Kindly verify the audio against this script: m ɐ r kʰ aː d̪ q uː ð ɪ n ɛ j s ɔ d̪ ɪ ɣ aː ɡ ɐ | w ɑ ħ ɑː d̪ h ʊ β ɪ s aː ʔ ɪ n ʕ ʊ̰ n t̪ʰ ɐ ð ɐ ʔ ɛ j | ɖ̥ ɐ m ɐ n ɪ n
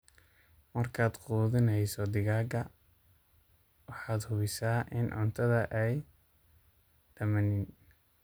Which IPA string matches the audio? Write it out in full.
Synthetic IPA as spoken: m ɐ r kʰ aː d̪ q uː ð ɪ n ɛ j s ɔ d̪ ɪ ɣ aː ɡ ɐ | w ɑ ħ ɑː d̪ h ʊ β ɪ s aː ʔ ɪ n ʕ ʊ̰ n t̪ʰ ɐ ð ɐ ʔ ɛ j | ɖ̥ ɐ m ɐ n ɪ n